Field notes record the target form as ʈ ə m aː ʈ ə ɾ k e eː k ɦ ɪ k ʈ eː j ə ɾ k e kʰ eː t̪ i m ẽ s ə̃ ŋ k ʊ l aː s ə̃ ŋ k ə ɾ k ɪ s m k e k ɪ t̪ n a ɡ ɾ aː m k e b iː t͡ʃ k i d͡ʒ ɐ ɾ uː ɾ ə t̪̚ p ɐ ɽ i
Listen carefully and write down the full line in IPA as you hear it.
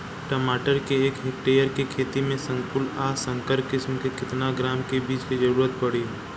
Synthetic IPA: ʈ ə m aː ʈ ə ɾ k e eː k ɦ ɪ k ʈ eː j ə ɾ k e kʰ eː t̪ i m ẽ s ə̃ ŋ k ʊ l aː s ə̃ ŋ k ə ɾ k ɪ s m k e k ɪ t̪ n a ɡ ɾ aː m k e b iː t͡ʃ k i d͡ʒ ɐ ɾ uː ɾ ə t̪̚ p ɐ ɽ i